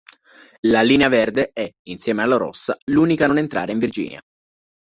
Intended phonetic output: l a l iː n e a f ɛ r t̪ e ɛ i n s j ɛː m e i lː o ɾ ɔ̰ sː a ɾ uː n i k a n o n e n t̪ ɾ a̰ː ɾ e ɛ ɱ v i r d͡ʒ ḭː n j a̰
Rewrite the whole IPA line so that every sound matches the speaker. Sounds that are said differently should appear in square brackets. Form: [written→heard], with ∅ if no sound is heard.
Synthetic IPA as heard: l a l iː n e a [f→v] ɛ r [t̪→d̪] e ɛ i n s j ɛː m e [i→a] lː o ɾ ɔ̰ sː a [ɾ→l] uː n i k a n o n e n t̪ ɾ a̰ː ɾ e [ɛ→i] ɱ v i r d͡ʒ ḭː n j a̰